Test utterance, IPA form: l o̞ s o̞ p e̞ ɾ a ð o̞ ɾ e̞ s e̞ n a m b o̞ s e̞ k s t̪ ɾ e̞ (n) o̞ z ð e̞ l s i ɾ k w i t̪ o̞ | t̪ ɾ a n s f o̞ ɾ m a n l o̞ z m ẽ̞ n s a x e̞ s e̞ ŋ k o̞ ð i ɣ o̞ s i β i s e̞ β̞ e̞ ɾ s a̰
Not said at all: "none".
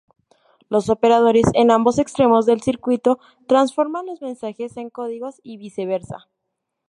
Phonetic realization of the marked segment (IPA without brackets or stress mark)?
m